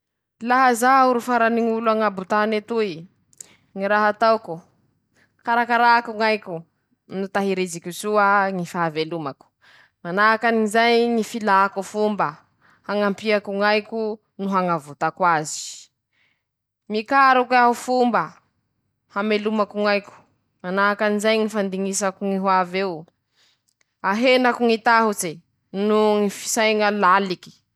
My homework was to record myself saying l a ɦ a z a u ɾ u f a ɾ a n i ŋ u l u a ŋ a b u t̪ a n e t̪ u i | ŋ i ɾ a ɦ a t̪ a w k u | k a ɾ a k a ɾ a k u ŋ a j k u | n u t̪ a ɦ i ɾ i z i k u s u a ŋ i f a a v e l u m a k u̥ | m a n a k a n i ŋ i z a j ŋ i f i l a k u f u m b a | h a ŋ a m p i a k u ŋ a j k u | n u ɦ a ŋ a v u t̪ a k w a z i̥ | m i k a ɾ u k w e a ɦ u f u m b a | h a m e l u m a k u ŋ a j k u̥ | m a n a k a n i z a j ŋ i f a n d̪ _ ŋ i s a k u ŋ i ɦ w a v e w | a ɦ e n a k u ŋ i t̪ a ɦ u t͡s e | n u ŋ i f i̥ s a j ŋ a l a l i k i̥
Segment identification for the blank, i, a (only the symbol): i